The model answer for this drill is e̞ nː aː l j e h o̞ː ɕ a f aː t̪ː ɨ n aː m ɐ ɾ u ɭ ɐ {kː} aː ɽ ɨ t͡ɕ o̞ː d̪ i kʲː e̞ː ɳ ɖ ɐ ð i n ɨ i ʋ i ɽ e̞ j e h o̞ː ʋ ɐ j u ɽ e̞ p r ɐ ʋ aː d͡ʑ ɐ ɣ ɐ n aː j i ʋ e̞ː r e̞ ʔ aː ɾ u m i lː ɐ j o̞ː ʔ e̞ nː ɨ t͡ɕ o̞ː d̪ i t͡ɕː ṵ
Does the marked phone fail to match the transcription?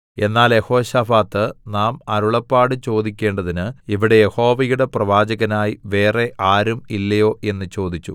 yes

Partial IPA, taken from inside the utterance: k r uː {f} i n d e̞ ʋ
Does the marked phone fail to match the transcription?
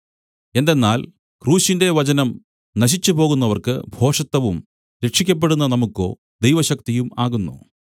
yes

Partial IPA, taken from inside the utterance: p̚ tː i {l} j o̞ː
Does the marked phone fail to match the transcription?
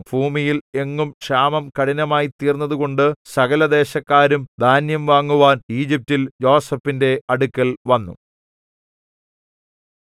no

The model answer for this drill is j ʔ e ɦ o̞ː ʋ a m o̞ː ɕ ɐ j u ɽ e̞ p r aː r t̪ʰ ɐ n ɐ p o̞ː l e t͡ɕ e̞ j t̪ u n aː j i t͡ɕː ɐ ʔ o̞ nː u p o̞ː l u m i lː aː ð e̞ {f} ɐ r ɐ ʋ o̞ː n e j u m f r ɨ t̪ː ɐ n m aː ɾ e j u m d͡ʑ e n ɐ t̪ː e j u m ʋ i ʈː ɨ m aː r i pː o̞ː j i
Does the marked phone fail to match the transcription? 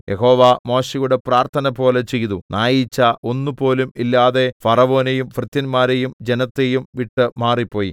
no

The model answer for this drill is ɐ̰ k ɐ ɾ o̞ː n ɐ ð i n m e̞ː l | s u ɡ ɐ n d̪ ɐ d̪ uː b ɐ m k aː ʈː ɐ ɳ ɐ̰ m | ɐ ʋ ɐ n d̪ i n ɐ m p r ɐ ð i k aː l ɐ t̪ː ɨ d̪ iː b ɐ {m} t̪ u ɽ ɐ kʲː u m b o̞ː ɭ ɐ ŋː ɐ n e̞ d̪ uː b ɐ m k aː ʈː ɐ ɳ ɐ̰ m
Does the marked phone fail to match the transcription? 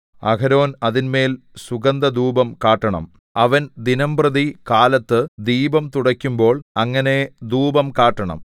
no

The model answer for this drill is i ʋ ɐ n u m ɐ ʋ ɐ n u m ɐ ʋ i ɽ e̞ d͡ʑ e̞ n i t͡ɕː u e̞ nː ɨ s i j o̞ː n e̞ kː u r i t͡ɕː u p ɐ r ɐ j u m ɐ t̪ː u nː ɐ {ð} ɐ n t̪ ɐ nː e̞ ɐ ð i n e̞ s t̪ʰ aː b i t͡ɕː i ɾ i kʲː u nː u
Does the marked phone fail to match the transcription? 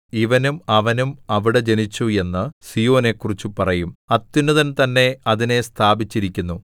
no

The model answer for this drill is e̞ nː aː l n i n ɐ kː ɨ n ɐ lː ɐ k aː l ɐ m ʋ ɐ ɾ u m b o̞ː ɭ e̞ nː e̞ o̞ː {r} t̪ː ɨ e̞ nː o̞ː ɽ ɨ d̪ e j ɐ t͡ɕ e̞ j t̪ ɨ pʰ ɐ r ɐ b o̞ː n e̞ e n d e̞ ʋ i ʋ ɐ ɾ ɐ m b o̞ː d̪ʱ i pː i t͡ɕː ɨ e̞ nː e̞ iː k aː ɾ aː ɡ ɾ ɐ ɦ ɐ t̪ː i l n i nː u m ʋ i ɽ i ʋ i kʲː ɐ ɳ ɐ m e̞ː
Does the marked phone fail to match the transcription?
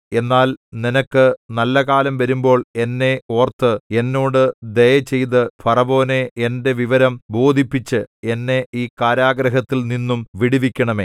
no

